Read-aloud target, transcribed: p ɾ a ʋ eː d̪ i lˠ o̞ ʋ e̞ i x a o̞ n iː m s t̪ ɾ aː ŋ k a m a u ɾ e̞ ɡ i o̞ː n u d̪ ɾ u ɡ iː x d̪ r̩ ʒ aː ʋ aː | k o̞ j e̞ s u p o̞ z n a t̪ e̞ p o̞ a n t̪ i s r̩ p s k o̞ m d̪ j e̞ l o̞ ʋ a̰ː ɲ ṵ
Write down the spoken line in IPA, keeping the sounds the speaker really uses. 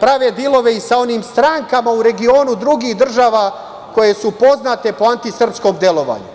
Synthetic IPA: p ɾ a ʋ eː d̪ i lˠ o̞ ʋ e̞ i s a o̞ n iː m s t̪ ɾ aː ŋ k a m a u ɾ e̞ ɡ i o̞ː n u d̪ ɾ u ɡ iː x d̪ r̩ ʒ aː ʋ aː | k o̞ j e̞ s u p o̞ z n a t̪ e̞ p o̞ a n t̪ i s r̩ p s k o̞ m d̪ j e̞ l o̞ ʋ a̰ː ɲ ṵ